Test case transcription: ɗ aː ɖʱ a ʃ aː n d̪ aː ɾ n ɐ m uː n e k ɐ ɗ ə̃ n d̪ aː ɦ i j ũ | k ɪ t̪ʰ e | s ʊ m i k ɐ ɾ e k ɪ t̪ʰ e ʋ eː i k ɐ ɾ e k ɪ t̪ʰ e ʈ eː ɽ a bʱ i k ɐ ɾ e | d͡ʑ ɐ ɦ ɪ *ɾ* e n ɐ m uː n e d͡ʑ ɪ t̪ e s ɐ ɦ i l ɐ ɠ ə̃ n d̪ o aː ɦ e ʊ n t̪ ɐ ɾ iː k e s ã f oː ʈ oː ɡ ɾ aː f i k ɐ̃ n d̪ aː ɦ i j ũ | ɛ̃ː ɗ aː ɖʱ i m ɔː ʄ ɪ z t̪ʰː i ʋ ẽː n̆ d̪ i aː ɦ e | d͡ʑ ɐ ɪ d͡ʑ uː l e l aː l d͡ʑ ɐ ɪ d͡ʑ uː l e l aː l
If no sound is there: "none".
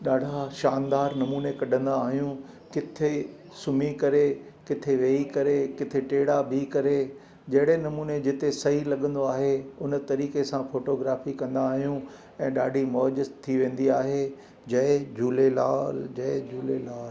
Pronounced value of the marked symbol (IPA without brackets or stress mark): ɽ